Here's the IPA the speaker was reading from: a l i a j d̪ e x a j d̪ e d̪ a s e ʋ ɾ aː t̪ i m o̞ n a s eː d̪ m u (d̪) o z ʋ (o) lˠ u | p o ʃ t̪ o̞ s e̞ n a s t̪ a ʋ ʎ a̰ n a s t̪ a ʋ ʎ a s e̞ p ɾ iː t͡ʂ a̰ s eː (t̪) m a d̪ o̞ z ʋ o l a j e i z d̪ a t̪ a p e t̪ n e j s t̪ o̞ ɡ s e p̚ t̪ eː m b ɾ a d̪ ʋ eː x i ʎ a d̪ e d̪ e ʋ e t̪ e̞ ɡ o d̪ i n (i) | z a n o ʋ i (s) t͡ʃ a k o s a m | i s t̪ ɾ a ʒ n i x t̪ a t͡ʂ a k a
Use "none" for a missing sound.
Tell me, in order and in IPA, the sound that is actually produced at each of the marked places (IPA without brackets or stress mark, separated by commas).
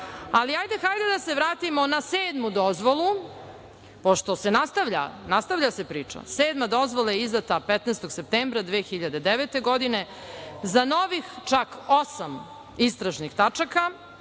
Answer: d̪, o, d̪, e, x